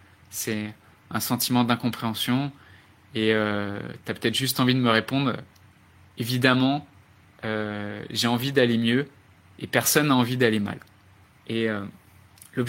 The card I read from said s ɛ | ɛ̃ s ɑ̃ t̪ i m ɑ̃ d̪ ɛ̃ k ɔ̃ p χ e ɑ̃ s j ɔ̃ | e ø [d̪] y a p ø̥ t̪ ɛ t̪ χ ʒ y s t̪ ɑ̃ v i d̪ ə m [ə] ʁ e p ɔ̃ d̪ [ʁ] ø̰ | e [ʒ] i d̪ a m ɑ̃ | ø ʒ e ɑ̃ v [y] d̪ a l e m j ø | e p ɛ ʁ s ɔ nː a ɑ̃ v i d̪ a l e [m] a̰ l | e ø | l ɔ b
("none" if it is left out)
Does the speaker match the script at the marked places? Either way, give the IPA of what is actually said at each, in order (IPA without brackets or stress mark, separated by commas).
t̪, ə, ʁ, v, i, m